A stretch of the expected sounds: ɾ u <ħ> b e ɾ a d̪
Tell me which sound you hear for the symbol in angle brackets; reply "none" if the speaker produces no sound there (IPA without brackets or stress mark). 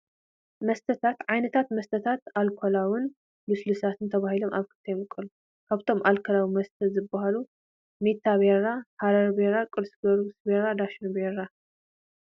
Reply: s